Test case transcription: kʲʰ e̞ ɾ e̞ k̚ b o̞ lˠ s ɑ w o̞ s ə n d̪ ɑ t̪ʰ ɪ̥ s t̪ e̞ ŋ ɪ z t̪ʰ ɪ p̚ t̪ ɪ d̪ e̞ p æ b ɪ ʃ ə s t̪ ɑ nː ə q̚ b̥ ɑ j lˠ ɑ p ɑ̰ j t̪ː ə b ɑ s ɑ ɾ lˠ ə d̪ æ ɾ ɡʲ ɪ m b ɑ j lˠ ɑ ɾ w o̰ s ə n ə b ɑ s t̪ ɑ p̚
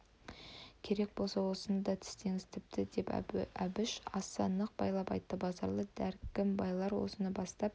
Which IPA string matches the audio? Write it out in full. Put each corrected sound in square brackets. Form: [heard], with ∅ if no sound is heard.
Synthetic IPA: kʲʰ e̞ ɾ e̞ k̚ b o̞ lˠ s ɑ w o̞ s ə n d̪ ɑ t̪ʰ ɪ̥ s t̪ e̞ ŋ ɪ z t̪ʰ ɪ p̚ t̪ ɪ d̪ e̞ p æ b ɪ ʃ [ɑ] s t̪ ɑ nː ə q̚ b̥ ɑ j lˠ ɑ p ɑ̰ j t̪ː ə b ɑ [z] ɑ ɾ lˠ ə d̪ æ ɾ [kʲ] ɪ m b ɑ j lˠ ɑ ɾ w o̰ s ə n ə b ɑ s t̪ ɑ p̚